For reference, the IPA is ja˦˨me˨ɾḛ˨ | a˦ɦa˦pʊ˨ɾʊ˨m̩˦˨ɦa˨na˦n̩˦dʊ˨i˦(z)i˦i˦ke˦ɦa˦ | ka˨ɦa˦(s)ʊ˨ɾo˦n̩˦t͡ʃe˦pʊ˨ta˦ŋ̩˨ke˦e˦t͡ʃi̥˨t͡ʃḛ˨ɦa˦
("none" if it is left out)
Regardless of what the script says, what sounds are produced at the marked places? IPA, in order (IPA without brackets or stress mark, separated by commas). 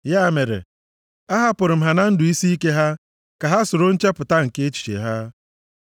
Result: s, s